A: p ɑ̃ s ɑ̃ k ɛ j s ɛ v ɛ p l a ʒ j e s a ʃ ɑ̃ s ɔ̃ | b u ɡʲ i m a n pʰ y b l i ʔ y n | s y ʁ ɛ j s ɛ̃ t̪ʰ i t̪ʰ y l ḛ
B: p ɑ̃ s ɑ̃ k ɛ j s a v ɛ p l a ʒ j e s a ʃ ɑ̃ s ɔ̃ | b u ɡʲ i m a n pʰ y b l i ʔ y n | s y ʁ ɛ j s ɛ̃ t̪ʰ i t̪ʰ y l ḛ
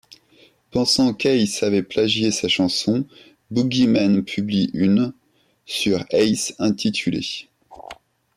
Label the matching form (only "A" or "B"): B